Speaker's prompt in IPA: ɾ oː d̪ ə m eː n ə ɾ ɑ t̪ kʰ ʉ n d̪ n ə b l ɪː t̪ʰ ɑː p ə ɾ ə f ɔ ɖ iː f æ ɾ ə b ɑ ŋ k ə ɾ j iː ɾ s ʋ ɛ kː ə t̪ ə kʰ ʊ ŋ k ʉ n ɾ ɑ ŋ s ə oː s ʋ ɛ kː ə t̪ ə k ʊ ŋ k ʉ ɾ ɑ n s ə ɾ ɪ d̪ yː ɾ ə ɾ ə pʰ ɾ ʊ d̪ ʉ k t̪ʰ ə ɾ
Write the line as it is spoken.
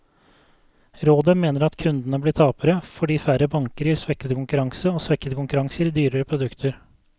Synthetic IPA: ɾ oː d̪ ə m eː n ə ɾ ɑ t̪ kʰ ʉ n d̪ n ə b l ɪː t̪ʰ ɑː p ə ɾ ə f ɔ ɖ iː f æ ɾ ə b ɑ ŋ k ə ɾ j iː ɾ s ʋ ɛ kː ə t̪ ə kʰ ʊ ŋ k ʉ ɾ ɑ ŋ s ə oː s ʋ ɛ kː ə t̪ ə k ʊ ŋ k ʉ ɾ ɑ ŋ s ə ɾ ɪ d̪ yː ɾ ə ɾ ə pʰ ɾ ʊ d̪ ʉ k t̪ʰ ə ɾ